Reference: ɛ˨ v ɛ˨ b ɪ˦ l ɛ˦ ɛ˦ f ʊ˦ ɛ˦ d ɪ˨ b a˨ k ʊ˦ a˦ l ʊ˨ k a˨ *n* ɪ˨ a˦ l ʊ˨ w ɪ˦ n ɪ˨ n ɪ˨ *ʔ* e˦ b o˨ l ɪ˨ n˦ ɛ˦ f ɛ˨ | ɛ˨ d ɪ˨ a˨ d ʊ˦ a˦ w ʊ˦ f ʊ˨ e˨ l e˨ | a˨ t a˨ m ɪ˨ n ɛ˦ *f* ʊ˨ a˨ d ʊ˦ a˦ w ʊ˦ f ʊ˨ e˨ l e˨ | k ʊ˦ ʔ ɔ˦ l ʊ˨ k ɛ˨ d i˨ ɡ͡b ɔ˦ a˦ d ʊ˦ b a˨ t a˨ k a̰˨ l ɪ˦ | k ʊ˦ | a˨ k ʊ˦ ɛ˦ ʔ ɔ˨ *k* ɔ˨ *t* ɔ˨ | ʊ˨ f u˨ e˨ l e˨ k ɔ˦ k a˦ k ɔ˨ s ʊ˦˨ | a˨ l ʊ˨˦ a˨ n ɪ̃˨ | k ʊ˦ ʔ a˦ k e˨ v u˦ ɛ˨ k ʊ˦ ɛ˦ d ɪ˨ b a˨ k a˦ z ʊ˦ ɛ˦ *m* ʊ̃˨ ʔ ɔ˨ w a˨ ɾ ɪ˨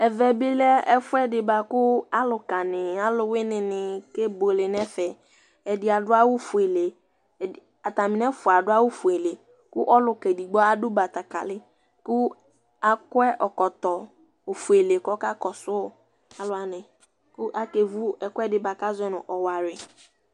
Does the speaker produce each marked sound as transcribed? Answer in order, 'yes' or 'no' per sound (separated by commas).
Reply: yes, no, yes, yes, yes, no